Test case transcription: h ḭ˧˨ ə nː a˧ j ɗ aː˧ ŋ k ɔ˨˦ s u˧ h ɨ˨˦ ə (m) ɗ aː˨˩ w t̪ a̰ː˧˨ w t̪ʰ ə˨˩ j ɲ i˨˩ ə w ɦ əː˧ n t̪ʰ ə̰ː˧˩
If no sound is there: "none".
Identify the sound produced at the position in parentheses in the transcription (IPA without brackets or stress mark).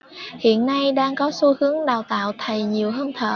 ŋ